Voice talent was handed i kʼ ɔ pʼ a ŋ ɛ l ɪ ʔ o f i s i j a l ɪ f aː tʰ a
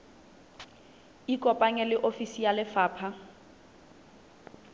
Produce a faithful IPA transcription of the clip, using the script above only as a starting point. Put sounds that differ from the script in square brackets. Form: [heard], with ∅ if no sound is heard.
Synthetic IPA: i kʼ ɔ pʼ a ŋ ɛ l ɪ ʔ o f i s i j a l ɪ f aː [pʰ] a